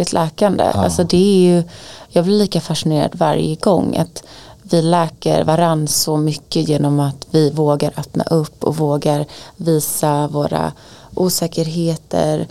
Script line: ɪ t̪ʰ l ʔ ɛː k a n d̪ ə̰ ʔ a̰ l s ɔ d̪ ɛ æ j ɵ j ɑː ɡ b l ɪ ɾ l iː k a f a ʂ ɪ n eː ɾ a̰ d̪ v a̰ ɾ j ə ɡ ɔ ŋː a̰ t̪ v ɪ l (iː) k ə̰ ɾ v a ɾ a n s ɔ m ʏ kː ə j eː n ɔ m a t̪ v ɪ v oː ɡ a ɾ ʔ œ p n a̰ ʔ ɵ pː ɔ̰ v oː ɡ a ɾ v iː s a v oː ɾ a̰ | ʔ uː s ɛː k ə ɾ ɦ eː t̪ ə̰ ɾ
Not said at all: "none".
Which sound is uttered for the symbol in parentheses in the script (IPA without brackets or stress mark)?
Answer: ɛː